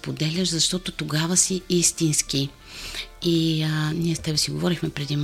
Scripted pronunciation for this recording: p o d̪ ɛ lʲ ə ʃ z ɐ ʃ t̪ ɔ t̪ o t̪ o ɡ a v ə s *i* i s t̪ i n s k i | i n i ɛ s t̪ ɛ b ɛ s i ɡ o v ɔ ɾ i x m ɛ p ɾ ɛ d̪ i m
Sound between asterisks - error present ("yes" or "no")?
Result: no